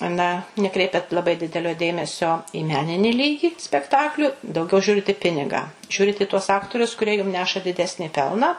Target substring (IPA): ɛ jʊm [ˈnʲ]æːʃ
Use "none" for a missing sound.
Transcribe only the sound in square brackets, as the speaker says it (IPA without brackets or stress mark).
nʲ